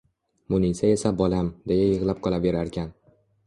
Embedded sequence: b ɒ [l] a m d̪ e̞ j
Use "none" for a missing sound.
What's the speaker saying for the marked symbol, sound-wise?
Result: l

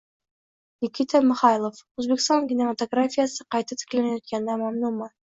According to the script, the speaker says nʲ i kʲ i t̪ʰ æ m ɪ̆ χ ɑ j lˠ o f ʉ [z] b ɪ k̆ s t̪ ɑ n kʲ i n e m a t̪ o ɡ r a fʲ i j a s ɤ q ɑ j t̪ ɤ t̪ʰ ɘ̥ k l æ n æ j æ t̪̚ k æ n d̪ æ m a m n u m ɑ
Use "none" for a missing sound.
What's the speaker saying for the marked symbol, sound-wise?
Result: z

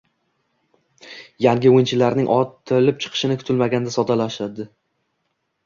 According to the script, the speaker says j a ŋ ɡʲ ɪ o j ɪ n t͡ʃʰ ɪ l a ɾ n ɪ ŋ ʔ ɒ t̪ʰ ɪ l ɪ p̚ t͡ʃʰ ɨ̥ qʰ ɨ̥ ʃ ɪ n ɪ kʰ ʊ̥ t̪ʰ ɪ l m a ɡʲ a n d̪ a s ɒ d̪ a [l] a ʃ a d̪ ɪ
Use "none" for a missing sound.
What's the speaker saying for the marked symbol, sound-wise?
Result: l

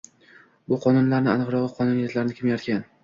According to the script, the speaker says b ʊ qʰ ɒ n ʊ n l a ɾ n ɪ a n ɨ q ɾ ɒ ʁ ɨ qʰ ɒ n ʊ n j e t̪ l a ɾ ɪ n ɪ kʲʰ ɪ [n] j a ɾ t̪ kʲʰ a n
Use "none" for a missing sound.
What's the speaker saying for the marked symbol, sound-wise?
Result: m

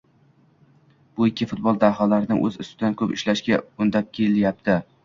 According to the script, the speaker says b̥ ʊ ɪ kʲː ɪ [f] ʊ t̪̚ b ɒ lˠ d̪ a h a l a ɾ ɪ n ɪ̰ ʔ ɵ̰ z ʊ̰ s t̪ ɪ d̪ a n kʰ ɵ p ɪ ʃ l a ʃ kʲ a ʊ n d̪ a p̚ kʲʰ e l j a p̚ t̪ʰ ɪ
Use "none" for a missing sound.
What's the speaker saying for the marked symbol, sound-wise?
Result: f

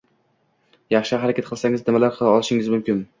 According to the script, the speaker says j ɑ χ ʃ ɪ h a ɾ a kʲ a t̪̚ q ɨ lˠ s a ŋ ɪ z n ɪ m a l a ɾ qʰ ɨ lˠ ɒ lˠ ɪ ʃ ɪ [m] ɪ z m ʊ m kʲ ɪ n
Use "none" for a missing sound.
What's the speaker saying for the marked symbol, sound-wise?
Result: ŋ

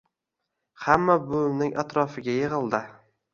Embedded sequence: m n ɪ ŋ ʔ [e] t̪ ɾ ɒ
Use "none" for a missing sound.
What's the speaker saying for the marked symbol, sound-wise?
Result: a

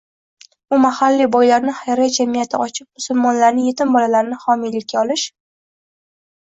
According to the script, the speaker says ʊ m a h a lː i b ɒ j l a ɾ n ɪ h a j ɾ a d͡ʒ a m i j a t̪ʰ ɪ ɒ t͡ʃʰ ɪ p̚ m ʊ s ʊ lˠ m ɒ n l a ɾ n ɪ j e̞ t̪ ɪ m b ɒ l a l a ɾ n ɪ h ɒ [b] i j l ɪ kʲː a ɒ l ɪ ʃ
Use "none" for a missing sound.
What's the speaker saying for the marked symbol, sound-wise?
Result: m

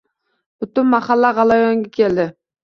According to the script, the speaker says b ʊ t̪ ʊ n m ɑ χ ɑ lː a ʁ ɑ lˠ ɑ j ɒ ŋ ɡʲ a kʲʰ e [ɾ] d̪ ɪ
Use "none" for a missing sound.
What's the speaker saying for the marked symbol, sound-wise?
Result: l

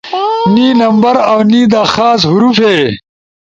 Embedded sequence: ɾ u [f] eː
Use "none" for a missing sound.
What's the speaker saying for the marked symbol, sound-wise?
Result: f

